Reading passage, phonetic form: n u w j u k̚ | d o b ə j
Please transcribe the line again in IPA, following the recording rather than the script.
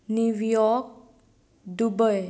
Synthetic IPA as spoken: n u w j ɔ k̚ | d u b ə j